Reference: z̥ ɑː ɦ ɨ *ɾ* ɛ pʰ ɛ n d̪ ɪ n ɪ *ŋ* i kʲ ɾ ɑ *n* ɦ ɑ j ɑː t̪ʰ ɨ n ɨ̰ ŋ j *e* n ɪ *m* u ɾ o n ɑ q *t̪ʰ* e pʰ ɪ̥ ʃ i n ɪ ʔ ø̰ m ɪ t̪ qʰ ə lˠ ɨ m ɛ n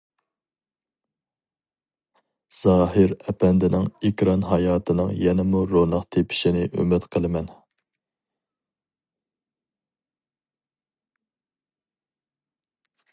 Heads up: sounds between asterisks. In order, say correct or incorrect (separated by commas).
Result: correct, correct, correct, incorrect, correct, correct